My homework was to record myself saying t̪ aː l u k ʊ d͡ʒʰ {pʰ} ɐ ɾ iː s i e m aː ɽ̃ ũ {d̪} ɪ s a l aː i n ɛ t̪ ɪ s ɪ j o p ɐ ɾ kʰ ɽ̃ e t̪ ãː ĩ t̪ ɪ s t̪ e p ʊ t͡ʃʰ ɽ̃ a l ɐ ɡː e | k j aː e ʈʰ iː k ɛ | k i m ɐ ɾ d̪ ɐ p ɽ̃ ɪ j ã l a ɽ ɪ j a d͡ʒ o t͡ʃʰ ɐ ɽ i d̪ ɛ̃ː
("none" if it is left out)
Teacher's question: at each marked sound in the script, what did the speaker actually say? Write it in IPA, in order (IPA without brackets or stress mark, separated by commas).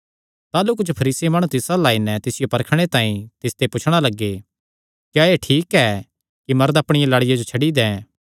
pʰ, t̪